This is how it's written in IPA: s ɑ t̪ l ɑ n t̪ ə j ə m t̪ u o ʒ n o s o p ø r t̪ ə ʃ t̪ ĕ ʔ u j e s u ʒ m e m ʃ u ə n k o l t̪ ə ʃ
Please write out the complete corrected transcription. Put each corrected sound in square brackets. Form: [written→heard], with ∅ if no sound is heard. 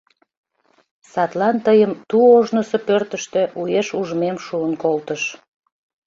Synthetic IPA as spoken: s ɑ t̪ l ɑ n t̪ ə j ə m t̪ u o ʒ n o s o p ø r t̪ ə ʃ t̪ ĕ ʔ u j e [s→ʃ] u ʒ m e m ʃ u ə n k o l t̪ ə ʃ